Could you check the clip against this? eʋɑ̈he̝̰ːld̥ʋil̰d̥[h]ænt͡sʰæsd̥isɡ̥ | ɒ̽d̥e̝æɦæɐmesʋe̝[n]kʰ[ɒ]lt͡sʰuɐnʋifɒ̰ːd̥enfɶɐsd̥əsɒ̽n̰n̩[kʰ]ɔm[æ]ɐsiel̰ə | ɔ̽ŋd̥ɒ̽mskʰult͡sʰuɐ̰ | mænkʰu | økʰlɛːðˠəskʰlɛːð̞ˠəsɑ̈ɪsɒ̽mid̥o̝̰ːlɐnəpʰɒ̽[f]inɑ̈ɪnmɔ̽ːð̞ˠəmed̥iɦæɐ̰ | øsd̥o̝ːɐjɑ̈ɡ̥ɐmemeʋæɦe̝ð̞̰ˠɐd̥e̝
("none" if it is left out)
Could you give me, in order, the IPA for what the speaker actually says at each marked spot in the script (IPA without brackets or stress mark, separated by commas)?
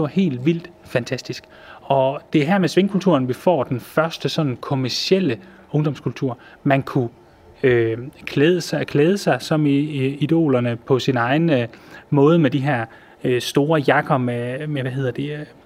f, ŋ, u, kʰ, æ, s